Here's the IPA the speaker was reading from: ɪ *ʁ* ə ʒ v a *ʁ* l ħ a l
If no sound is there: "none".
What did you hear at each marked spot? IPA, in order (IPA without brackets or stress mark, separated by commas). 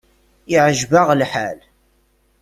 ʕ, ʁ